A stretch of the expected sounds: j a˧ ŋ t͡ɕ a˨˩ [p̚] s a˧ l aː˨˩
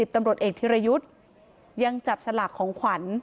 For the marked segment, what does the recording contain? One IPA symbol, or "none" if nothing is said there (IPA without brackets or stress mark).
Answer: p̚